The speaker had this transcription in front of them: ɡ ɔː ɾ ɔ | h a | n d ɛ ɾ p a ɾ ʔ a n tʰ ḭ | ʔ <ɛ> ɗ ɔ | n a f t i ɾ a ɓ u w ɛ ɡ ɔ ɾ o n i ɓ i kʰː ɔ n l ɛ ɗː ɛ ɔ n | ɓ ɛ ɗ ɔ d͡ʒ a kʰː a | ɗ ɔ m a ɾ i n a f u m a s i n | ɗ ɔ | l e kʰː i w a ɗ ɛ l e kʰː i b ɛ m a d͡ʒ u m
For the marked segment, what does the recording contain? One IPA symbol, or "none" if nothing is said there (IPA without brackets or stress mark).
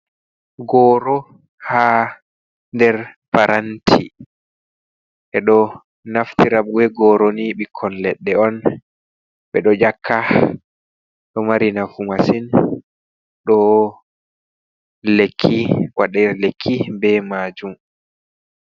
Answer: ɛ